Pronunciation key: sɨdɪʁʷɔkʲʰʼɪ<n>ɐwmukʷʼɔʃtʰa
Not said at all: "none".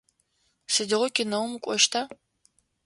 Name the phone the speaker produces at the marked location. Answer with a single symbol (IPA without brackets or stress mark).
n